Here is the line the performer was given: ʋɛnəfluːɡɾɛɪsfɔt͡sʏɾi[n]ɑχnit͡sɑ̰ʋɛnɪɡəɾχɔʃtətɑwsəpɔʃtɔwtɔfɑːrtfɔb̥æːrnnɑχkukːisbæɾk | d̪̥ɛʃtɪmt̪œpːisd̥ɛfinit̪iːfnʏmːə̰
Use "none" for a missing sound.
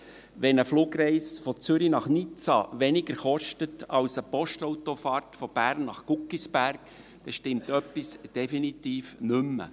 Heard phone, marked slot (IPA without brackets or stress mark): n